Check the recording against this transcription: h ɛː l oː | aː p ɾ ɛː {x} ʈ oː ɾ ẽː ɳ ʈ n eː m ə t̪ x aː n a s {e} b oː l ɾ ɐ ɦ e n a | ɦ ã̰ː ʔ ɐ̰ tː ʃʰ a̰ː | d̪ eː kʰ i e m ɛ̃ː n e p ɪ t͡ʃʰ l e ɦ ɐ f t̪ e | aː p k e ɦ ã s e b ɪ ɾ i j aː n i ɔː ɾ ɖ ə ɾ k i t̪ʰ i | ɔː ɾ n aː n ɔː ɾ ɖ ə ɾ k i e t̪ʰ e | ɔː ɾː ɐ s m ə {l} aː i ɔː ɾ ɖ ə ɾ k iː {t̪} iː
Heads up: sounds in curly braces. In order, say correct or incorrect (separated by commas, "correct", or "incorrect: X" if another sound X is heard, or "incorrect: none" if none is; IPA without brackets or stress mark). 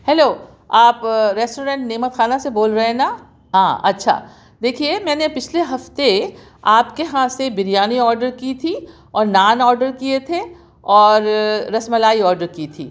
incorrect: s, correct, correct, incorrect: t̪ʰ